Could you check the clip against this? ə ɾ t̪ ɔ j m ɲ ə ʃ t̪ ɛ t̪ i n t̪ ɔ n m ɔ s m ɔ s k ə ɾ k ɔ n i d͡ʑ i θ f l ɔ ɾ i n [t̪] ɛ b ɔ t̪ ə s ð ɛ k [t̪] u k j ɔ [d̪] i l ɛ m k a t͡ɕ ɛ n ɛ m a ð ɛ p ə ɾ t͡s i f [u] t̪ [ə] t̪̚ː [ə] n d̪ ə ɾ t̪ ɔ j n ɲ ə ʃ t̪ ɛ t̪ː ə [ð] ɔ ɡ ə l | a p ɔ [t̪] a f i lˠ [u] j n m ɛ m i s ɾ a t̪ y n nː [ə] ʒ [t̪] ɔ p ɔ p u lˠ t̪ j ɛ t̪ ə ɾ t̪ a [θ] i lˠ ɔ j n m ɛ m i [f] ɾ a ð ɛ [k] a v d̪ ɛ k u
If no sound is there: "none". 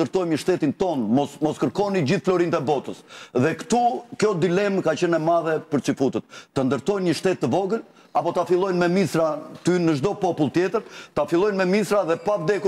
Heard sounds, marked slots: t̪, t̪, d̪, u, ə, ə, v, t̪, ɔ, ə, d̪, f, s, p

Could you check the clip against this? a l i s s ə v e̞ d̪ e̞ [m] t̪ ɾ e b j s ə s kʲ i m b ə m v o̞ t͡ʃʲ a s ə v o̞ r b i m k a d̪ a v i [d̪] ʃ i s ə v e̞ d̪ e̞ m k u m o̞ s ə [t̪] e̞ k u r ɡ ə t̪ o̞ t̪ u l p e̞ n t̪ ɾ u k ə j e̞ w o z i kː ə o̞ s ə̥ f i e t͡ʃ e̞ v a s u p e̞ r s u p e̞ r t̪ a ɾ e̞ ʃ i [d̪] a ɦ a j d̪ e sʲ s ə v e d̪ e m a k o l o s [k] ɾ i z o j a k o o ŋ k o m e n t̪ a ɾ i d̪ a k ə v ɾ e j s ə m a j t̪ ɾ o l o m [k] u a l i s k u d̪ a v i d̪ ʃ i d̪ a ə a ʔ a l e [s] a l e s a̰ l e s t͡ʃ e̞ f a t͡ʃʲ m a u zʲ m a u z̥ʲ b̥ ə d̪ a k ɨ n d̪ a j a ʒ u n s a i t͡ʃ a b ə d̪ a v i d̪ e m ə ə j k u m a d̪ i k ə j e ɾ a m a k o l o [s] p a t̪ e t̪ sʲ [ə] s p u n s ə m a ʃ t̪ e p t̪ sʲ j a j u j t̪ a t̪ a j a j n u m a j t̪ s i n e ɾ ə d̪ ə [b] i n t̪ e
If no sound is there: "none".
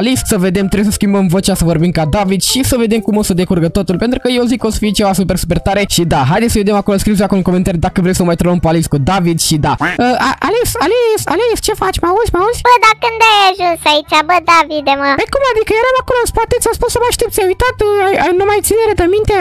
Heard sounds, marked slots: m, d̪, d̪, d̪, k, p, s, s, a, m

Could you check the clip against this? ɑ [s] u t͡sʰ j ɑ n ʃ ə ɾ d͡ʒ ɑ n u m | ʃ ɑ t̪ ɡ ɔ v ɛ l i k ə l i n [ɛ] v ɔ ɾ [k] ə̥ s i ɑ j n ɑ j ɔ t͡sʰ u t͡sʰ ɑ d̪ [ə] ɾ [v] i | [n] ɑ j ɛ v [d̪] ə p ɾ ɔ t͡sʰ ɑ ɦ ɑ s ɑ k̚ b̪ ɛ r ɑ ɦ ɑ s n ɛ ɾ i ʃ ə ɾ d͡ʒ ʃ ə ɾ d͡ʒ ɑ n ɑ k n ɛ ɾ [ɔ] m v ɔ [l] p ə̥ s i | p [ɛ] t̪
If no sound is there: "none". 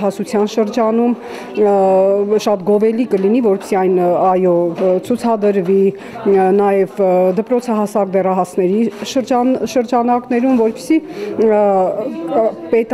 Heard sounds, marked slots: s, i, p, ə, v, n, d̪, u, ɾ, ɛ

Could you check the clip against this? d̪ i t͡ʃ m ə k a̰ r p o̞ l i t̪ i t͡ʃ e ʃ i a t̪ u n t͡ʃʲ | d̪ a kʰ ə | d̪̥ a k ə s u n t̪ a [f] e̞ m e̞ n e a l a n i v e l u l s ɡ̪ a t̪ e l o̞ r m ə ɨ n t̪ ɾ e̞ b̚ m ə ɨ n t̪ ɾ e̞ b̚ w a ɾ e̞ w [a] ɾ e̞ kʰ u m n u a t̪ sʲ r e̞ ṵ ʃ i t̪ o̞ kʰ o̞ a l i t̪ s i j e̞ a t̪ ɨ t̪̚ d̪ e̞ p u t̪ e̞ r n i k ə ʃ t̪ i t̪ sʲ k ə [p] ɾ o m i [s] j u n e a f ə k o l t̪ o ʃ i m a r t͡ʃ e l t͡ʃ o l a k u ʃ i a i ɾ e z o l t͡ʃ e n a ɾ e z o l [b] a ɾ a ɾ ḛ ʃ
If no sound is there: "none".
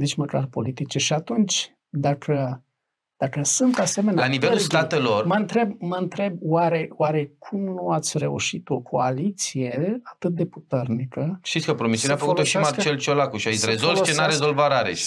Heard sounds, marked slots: s, a, p, s, v

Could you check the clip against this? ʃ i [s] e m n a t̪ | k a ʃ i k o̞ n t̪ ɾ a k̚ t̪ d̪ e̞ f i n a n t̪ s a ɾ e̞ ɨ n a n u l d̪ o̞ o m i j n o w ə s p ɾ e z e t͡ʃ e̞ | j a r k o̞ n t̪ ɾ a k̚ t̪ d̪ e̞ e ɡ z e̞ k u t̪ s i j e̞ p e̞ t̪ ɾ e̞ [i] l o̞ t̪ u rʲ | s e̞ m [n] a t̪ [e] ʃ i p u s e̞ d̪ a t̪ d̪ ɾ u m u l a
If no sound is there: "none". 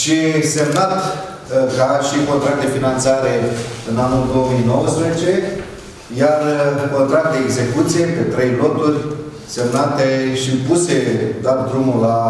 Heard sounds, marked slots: s, j, n, e

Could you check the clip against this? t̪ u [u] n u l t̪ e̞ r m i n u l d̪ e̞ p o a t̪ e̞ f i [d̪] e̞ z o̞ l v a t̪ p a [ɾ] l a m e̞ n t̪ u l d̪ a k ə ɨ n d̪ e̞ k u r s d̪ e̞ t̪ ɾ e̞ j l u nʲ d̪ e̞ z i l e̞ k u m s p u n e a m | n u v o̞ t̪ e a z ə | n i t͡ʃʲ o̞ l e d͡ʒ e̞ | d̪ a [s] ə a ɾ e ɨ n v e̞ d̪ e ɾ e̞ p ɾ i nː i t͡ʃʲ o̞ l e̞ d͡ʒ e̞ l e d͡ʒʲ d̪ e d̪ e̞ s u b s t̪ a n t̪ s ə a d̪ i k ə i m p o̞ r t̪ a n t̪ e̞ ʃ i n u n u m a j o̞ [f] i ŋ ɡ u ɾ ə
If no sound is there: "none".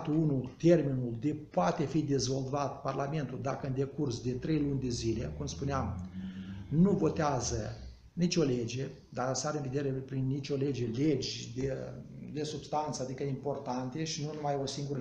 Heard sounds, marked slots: u, d̪, r, s, s

